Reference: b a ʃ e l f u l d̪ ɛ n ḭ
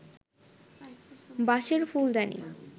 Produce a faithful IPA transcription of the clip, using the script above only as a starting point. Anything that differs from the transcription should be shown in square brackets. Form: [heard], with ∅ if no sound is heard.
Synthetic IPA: b a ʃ e [ɾ] f u l d̪ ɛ n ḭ